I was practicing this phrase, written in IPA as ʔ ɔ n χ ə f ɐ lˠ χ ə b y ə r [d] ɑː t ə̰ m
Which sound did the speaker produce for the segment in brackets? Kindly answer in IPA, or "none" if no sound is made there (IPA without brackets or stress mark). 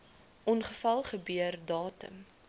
d